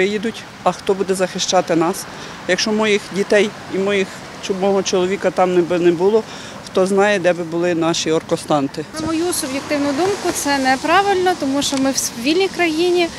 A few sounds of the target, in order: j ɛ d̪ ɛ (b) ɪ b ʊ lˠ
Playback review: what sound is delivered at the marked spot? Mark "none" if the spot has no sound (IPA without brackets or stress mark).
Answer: b